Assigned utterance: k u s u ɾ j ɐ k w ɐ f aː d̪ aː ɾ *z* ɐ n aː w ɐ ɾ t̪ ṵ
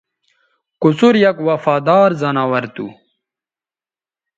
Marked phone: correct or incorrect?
correct